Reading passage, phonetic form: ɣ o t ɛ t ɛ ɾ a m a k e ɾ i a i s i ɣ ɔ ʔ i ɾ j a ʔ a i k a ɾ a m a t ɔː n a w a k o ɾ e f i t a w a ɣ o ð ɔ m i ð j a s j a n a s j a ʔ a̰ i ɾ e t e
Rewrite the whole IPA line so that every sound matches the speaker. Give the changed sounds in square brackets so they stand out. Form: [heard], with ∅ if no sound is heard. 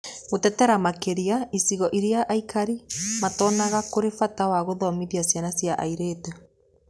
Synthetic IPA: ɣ o t ɛ t ɛ ɾ a m a k e ɾ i a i s i ɣ ɔ ʔ i ɾ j a ʔ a i k a ɾ [i] m a t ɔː n a [ɣ] a k o ɾ e f [a] t a w a ɣ o ð ɔ m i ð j a s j a n a s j a ʔ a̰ i ɾ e t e